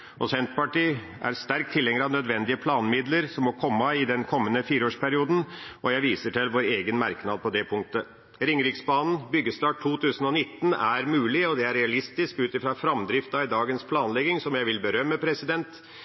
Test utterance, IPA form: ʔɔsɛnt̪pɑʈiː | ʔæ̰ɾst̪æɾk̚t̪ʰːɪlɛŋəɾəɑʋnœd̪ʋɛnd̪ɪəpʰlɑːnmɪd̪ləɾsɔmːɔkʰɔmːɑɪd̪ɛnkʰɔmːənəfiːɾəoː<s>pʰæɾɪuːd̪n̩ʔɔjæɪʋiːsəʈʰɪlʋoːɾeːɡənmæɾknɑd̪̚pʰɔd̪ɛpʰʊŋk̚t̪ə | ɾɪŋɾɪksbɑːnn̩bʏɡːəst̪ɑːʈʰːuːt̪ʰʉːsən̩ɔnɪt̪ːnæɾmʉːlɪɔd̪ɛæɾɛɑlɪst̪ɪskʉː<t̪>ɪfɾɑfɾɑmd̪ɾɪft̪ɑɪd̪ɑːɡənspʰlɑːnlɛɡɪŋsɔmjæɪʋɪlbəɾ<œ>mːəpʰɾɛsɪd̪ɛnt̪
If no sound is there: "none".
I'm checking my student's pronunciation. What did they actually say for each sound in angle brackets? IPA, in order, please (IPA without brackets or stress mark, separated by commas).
ʂ, t̪, œ